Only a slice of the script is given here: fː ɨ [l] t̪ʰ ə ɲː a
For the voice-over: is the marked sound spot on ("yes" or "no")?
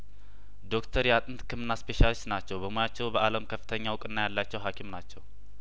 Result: no